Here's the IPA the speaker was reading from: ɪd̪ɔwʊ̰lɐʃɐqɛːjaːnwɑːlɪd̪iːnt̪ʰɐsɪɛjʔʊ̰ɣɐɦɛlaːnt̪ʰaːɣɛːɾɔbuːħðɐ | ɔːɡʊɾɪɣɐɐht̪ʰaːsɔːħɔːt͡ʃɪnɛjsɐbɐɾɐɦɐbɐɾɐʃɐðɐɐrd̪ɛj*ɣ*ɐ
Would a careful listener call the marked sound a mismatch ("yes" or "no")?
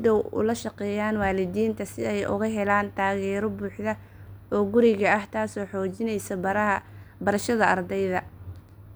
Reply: yes